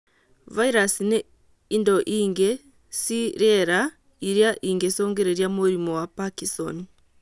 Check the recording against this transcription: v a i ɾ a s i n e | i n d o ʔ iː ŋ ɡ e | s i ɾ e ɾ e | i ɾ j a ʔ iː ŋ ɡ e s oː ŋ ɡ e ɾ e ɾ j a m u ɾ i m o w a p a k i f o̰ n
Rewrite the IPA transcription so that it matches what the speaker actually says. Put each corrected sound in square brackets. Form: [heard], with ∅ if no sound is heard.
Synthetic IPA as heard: v a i ɾ a s i n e | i n d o ʔ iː ŋ ɡ e | s i ɾ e ɾ [a] | i ɾ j a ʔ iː ŋ ɡ e s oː ŋ ɡ e ɾ e ɾ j a m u ɾ i m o w a p a k i [s] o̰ n